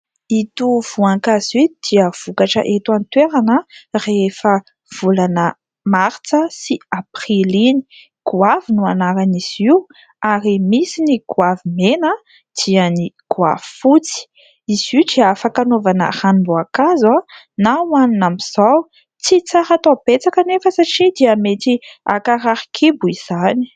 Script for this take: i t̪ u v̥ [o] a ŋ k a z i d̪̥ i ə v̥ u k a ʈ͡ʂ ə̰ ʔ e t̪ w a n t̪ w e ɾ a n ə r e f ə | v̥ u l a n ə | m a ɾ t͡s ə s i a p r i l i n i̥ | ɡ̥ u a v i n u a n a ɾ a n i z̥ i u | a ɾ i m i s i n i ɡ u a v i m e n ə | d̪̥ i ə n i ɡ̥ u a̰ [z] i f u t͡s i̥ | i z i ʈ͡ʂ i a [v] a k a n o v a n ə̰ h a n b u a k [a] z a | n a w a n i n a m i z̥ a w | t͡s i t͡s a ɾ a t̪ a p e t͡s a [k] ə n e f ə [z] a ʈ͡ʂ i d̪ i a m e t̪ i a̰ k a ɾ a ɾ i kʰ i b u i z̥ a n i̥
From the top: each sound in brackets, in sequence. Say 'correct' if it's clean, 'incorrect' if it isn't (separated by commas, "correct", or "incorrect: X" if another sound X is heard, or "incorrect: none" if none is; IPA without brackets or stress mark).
incorrect: u, incorrect: v, incorrect: f, correct, correct, incorrect: s